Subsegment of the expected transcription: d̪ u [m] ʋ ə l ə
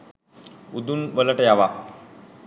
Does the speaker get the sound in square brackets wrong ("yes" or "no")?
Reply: yes